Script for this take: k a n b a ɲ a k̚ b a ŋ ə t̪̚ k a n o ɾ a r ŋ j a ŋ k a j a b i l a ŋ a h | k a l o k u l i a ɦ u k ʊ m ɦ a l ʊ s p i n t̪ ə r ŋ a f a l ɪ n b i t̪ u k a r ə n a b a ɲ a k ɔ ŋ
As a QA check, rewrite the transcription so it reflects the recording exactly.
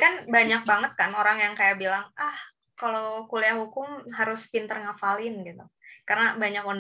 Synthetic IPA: k a n b a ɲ a k̚ b a ŋ ə t̪̚ k a n o ɾ a ŋ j a ŋ k a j a b i l a ŋ a h | k a l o k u l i a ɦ u k ʊ m ɦ a ɾ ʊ s p i n t̪ ə r ŋ a f a l ɪ n ɡ i t̪ u k a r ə n a b a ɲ a k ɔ n